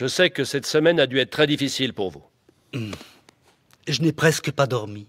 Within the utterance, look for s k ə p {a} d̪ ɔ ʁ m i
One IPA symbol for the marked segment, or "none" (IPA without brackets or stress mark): a